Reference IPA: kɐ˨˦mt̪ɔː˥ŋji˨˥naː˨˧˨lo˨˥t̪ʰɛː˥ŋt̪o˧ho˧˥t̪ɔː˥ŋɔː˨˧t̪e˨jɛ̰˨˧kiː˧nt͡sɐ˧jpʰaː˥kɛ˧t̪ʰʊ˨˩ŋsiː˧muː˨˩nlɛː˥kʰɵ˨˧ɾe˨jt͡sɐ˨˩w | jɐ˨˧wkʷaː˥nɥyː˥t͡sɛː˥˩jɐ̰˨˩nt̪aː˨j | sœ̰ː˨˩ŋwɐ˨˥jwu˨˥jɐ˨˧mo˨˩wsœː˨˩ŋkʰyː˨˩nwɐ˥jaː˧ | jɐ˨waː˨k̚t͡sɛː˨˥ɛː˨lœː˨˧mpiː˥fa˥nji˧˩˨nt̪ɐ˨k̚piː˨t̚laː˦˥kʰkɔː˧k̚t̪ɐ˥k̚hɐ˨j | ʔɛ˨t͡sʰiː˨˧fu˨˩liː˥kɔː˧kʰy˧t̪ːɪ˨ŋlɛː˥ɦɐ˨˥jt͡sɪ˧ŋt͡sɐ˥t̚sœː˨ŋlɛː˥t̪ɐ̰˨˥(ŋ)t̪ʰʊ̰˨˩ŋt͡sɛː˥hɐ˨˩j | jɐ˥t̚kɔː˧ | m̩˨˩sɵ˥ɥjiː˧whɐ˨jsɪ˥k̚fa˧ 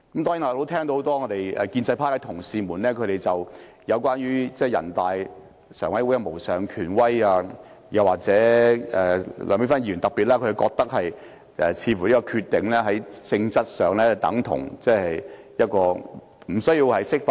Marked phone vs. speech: correct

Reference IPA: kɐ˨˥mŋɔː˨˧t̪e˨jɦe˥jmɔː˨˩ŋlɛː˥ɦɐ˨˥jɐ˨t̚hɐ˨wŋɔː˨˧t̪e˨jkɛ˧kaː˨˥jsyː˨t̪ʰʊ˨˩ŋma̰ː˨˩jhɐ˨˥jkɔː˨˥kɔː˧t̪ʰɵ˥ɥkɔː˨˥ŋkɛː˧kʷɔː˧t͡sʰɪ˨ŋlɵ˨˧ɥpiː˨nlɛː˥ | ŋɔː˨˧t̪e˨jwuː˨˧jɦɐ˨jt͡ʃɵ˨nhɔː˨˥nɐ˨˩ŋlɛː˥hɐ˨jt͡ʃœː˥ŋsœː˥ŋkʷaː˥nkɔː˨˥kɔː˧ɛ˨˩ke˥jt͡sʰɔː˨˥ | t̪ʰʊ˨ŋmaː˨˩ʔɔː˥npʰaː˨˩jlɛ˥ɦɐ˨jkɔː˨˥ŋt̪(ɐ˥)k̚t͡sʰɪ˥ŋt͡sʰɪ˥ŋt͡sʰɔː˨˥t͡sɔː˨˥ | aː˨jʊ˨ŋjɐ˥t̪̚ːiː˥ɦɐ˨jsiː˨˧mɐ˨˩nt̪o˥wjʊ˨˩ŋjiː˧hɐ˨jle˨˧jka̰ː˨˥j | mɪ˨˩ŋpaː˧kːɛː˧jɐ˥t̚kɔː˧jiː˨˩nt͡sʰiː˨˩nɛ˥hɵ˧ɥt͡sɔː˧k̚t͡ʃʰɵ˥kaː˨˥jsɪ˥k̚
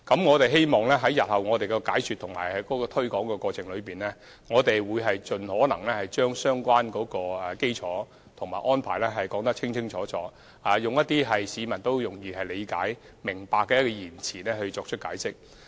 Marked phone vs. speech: correct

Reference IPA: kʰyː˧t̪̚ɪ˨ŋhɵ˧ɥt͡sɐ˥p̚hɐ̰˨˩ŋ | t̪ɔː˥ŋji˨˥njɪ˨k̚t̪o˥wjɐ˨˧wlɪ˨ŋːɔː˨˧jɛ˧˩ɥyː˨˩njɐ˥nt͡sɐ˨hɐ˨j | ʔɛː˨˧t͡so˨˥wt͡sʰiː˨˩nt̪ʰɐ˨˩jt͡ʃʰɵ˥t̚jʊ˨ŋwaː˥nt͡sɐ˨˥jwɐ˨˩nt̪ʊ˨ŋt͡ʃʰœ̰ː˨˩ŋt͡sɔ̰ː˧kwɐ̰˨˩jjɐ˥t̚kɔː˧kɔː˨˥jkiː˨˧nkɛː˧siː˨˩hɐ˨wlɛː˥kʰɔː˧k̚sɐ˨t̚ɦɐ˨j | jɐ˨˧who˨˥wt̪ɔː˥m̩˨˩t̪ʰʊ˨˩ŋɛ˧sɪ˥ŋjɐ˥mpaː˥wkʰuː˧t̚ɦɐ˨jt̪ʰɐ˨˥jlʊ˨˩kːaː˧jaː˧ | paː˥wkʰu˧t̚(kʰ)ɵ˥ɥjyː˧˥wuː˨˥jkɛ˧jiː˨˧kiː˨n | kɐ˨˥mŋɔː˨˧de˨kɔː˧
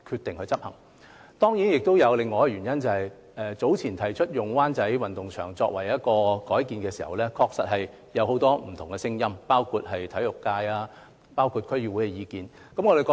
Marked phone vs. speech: correct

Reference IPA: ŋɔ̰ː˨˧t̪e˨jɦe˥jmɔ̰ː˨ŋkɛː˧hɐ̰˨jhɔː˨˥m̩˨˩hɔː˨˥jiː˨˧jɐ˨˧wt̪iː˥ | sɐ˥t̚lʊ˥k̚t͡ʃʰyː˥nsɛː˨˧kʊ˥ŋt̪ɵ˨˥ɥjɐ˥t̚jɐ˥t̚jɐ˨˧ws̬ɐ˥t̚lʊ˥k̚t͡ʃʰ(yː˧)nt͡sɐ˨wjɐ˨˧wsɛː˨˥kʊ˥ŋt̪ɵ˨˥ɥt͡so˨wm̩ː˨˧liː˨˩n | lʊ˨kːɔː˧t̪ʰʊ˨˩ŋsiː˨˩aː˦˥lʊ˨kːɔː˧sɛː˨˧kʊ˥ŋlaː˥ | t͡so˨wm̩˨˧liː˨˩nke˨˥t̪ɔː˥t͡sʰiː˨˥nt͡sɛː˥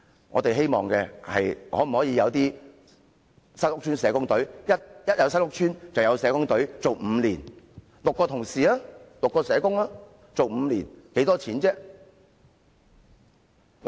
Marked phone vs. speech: incorrect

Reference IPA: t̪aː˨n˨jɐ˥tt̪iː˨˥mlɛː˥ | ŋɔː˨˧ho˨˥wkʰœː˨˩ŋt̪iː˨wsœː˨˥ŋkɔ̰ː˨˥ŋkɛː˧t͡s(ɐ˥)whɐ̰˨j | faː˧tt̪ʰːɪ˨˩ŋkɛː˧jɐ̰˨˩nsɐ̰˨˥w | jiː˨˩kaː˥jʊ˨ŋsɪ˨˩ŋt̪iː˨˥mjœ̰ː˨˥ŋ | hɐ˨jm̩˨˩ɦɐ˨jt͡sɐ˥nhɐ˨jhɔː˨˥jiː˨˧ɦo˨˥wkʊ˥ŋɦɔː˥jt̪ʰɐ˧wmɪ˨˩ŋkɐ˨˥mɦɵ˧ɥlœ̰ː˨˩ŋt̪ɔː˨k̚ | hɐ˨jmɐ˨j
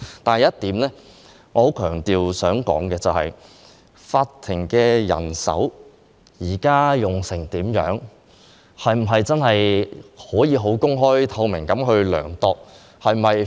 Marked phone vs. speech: incorrect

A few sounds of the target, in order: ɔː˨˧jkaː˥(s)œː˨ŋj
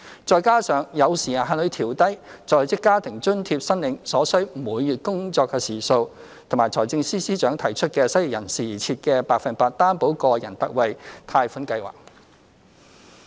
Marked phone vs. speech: correct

